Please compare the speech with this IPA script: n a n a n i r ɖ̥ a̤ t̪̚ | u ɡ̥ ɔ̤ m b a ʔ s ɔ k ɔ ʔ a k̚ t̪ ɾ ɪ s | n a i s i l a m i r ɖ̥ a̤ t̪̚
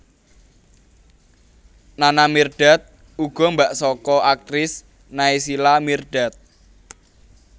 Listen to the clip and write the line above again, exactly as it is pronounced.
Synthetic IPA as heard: n a n a m i r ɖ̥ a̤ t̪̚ | u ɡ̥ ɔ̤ m b a ʔ s ɔ k ɔ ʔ a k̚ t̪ ɾ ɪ s | n a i s i l a m i r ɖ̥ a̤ t̪̚